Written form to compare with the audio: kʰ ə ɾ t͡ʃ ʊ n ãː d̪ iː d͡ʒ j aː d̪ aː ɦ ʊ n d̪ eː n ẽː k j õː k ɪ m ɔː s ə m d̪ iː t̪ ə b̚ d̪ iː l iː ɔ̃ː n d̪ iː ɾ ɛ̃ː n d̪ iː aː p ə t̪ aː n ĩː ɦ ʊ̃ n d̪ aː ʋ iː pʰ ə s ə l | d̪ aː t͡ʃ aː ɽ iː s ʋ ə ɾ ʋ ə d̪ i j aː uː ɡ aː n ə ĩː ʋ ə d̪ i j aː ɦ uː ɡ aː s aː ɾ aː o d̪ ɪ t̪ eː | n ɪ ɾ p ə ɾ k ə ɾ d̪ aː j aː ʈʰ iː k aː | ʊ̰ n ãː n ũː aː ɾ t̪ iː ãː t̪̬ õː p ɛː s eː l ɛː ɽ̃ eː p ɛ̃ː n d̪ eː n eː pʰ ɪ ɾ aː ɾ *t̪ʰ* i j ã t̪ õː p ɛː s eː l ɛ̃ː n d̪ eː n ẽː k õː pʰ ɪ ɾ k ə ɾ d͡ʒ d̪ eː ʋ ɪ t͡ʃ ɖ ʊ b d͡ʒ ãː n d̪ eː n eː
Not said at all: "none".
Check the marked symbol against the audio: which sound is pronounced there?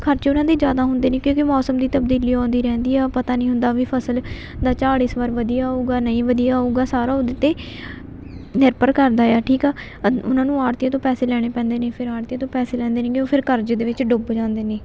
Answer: t̪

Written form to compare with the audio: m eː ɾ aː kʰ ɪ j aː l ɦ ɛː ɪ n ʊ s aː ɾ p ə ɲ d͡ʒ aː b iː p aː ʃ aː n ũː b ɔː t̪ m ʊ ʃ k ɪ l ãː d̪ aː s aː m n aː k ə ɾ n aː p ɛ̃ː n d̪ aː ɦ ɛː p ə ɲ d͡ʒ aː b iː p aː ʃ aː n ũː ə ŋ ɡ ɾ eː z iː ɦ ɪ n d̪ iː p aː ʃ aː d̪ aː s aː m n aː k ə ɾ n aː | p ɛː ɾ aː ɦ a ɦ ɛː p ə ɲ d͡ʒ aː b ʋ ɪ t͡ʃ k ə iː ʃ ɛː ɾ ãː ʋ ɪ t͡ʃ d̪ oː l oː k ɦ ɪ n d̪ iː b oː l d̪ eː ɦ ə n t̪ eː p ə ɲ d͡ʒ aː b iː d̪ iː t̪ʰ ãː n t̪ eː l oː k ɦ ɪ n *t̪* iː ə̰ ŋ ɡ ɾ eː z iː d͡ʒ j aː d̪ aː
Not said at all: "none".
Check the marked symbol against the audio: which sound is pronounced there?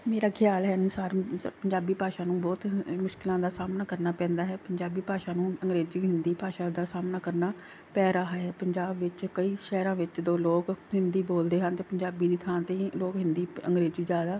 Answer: d̪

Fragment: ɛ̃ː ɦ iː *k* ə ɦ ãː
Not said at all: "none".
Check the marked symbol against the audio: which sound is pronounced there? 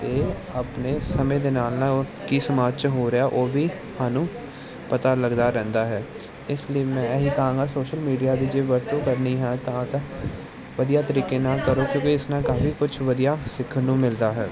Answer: k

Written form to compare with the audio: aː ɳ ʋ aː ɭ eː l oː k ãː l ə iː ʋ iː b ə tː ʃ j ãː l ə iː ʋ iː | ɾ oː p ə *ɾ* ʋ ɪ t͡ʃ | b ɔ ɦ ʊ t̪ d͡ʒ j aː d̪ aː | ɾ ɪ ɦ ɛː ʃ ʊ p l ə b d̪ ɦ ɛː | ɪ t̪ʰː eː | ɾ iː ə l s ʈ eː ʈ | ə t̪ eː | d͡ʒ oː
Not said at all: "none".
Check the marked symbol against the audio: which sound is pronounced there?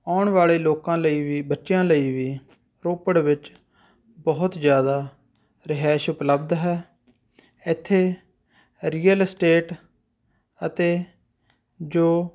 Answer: ɽ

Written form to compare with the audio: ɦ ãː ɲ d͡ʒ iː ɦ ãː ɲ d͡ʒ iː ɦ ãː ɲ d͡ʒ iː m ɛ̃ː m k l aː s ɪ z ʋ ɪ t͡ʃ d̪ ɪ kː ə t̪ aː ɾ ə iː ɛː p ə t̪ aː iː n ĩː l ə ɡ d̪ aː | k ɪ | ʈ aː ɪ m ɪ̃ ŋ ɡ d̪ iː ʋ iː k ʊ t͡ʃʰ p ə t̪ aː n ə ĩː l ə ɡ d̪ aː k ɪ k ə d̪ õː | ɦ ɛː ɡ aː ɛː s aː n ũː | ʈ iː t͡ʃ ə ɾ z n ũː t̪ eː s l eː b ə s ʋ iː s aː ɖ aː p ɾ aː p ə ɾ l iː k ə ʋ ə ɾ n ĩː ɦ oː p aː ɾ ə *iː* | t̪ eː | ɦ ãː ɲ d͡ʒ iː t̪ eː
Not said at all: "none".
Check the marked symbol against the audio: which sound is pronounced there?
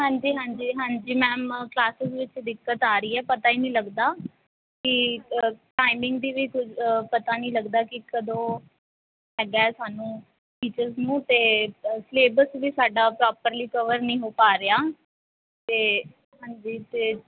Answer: aː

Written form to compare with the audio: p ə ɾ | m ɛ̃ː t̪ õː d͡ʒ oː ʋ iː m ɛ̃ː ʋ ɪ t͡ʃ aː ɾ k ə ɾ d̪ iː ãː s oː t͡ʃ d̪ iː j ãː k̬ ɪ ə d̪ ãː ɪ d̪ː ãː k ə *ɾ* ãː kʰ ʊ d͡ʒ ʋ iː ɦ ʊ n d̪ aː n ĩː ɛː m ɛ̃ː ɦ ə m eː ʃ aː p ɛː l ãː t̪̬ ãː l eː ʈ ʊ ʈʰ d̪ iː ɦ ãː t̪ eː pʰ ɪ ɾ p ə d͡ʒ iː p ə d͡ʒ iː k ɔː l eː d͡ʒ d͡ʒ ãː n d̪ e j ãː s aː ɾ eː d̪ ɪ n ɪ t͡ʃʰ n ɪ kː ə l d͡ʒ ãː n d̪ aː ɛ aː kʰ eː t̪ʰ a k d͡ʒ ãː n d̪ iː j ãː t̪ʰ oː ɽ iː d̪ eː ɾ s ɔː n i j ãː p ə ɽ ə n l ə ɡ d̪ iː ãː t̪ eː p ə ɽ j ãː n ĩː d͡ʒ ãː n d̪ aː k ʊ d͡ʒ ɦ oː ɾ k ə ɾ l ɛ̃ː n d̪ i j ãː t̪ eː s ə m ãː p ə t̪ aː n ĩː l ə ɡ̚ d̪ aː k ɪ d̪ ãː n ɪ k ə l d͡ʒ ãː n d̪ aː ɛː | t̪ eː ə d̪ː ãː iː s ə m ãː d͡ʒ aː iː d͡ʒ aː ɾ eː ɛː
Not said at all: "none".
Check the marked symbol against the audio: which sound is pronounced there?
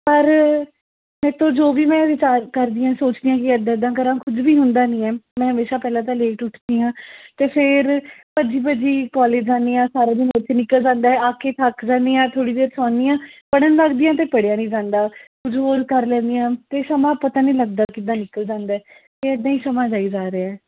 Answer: ɾ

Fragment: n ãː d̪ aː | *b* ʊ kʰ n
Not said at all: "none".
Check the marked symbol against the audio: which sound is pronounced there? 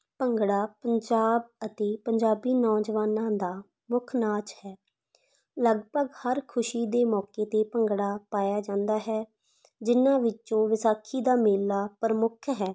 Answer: m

